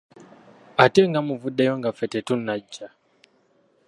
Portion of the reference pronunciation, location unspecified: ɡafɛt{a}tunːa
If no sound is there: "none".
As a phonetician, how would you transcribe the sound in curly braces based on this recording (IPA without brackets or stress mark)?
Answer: ɛ